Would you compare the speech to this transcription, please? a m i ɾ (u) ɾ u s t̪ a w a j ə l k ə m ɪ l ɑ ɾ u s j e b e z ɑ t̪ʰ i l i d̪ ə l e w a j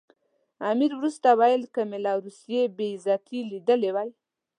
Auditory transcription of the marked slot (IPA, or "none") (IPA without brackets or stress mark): w